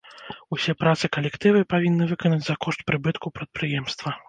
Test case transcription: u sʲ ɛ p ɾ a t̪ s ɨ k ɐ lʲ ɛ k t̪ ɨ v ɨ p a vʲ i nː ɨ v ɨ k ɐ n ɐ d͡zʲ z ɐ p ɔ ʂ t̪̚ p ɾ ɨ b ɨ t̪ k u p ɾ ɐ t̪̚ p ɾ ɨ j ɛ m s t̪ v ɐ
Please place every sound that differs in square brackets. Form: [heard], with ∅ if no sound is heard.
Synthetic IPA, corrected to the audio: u sʲ ɛ p ɾ a t̪ s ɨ k ɐ lʲ ɛ k t̪ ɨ v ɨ p a vʲ i nː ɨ v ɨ k ɐ n ɐ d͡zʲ z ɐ [k] ɔ ʂ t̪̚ p ɾ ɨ b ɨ t̪ k u p ɾ ɐ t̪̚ p ɾ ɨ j ɛ m s t̪ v ɐ